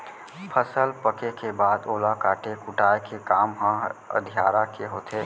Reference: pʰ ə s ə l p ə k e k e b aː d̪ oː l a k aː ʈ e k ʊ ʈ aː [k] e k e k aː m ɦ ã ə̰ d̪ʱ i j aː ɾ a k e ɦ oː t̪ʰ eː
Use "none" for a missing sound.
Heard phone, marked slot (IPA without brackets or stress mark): none